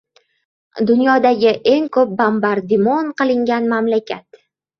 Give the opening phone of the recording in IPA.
d̪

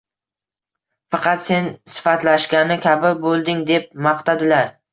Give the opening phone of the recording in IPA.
f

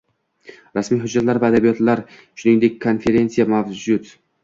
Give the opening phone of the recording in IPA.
ɾ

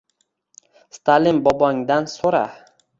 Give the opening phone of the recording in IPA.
s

